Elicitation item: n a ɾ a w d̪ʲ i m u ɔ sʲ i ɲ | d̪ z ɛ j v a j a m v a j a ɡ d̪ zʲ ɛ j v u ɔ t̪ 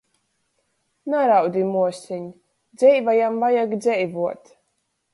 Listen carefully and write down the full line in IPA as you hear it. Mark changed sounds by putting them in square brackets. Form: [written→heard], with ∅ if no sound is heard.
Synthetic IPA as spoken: n a ɾ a w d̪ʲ i m u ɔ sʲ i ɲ | d̪ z ɛ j v a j a m v a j a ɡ d̪ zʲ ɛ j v u ɔ t̪